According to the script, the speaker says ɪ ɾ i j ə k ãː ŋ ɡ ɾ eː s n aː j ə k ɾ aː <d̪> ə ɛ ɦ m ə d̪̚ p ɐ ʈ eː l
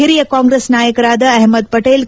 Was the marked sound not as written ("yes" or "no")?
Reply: no